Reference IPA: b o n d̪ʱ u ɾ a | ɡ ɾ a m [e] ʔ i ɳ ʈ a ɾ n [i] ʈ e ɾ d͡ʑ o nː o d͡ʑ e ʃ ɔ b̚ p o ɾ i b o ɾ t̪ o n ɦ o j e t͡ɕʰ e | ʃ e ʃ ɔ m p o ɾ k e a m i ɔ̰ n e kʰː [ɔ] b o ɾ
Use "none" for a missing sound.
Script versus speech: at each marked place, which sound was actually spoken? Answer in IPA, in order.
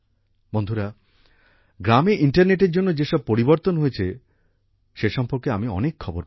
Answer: e, e, ɔ

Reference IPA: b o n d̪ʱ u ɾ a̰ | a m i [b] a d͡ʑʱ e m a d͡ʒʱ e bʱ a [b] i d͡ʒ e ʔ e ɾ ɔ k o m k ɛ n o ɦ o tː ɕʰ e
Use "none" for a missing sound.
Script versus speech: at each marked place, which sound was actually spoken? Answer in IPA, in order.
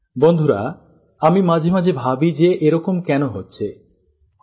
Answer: m, b

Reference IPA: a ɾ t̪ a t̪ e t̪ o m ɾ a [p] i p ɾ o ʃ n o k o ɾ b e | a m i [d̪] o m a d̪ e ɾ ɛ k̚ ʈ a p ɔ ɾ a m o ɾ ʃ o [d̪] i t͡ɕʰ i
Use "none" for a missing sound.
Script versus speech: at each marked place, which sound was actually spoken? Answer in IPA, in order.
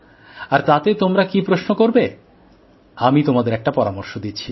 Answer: k, t̪, d̪

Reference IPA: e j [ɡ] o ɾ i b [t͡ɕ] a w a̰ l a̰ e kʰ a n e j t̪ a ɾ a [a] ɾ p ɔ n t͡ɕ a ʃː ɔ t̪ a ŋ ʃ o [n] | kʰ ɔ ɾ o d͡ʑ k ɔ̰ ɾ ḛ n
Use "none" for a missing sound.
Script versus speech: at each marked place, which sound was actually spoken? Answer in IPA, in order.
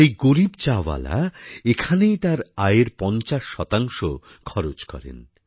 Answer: ɡ, t͡ɕ, e, none

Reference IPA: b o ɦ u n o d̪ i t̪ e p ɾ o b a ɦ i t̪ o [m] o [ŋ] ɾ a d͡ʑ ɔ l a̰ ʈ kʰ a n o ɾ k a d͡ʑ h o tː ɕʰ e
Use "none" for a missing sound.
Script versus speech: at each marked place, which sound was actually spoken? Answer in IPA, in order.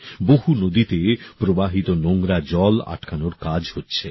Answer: n, ŋ

